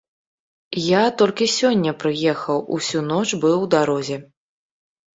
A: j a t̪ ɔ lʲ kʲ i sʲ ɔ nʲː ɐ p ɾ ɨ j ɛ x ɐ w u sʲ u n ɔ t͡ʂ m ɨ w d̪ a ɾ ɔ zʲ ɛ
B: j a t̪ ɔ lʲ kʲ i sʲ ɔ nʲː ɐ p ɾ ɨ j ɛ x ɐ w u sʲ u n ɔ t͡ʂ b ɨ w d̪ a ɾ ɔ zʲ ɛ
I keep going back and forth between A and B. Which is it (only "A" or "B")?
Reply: B